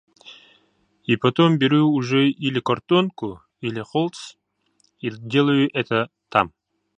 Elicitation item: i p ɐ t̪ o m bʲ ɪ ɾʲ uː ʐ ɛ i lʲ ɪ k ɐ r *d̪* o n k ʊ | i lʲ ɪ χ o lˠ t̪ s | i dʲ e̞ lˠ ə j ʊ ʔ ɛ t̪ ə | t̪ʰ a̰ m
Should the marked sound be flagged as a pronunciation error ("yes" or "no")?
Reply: yes